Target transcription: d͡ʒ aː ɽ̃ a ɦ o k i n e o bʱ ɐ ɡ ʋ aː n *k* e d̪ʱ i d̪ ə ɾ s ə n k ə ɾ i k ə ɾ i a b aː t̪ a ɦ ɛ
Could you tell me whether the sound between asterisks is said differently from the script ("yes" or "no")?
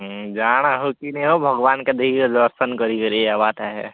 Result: no